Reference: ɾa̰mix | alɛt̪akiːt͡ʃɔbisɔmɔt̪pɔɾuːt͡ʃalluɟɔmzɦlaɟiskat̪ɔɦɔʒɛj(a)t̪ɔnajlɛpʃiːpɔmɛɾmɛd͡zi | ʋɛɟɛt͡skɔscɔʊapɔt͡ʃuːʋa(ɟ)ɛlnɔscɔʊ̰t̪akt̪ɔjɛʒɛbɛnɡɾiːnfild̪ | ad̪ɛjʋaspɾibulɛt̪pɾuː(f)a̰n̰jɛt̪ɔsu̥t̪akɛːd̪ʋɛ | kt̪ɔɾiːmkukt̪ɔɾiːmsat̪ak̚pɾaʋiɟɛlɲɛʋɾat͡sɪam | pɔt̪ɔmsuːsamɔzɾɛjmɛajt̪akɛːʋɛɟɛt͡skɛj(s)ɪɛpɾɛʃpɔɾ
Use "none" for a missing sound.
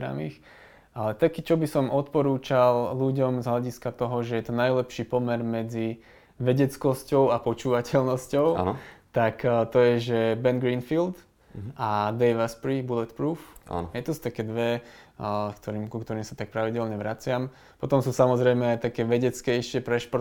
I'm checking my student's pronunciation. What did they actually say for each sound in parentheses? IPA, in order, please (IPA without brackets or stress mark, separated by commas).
ɛ, c, f, ʃ